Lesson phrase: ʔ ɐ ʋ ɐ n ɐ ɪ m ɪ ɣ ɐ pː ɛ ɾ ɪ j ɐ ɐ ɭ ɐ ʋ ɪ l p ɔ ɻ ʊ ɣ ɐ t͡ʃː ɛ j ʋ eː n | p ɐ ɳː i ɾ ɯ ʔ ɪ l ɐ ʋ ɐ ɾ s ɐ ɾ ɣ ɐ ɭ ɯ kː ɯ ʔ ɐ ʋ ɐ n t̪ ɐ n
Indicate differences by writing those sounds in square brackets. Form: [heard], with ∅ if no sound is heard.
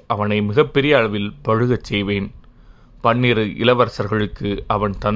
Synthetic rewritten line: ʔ ɐ ʋ ɐ n ɐ ɪ m ɪ ɣ ɐ pː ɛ ɾ ɪ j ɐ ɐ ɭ ɐ ʋ ɪ l p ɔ ɻ [ɯ] ɣ ɐ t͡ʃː ɛ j ʋ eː n | p ɐ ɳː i ɾ ɯ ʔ ɪ l ɐ ʋ ɐ ɾ s ɐ ɾ ɣ ɐ ɭ ɯ kː ɯ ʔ ɐ ʋ ɐ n t̪ ɐ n